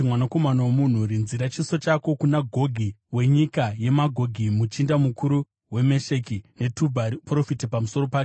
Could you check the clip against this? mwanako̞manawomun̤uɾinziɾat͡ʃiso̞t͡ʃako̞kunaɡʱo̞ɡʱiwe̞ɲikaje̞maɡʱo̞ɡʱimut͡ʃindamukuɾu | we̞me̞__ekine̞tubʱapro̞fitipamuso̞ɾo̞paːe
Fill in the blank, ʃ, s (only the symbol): ʃ